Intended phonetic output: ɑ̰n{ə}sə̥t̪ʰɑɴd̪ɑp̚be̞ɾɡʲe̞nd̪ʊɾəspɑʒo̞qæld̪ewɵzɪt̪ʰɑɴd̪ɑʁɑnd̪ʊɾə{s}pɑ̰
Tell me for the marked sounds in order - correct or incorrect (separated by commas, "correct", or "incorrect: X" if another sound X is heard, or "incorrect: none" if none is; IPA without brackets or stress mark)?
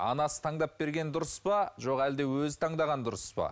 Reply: incorrect: ɑ, correct